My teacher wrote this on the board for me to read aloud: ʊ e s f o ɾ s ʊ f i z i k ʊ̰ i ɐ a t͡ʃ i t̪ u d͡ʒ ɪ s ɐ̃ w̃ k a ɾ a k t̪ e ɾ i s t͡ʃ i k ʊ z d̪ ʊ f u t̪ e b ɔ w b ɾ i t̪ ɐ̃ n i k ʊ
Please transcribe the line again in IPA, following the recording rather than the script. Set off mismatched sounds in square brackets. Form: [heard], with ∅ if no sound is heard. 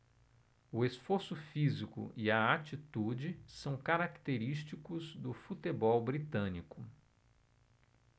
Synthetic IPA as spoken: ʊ e s f o ɾ s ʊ f i z i k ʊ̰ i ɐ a t͡ʃ i t̪ u d͡ʒ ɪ s ɐ̃ w̃ k a ɾ a k t̪ e ɾ i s t͡ʃ i k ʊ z d̪ ʊ f u t̪ e b ɔ w b ɾ i t̪ ɐ̃ n i k ʊ